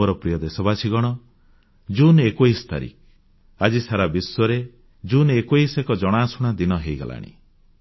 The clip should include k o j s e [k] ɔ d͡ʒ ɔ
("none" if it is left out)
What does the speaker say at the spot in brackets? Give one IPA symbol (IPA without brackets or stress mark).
k